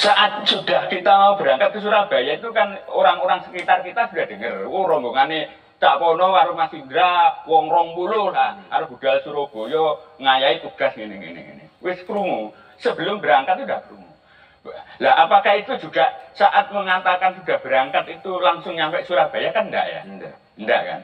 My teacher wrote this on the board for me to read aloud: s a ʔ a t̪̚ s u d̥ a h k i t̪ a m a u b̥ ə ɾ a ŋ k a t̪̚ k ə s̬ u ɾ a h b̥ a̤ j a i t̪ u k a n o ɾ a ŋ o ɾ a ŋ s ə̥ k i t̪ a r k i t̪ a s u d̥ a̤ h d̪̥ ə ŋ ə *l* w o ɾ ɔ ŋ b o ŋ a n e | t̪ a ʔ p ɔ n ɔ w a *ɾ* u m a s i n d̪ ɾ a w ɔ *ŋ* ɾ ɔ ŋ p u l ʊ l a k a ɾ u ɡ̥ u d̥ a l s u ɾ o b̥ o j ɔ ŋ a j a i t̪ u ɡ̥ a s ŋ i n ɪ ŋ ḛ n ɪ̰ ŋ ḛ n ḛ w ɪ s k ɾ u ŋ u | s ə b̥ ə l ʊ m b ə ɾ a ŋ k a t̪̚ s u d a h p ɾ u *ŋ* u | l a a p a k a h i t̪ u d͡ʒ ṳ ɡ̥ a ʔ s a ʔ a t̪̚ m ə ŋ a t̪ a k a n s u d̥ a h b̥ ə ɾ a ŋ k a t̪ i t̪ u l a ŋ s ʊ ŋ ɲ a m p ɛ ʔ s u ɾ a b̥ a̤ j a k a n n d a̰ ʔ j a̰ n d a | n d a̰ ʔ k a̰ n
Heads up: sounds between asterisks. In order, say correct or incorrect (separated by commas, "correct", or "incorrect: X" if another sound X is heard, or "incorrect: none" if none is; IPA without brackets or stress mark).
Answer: incorrect: r, correct, correct, correct